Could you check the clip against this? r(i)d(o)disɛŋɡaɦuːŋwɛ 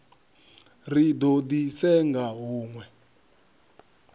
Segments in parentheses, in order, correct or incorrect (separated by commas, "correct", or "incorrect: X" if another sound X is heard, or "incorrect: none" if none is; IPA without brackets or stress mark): correct, correct